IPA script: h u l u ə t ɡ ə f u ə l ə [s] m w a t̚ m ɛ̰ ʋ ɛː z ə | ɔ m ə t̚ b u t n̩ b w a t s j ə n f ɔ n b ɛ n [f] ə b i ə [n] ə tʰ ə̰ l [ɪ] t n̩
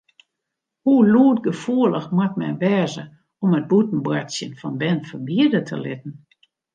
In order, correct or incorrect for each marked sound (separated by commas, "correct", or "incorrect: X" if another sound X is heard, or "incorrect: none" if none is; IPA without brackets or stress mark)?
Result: incorrect: x, correct, incorrect: d, correct